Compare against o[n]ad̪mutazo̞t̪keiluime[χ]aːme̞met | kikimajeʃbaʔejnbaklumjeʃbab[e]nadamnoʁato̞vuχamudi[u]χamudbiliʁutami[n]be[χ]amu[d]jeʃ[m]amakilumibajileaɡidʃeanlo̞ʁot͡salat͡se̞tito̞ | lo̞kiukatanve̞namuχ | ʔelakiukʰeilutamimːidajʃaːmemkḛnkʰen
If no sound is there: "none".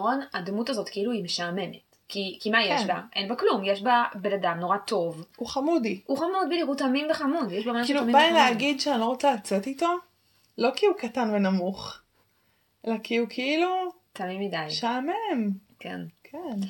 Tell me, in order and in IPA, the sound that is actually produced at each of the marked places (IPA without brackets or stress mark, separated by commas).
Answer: n, ʃ, e, u, m, χ, d, b